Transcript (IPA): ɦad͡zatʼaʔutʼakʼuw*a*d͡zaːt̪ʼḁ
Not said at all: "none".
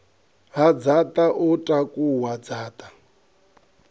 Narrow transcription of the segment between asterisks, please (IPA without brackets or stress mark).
a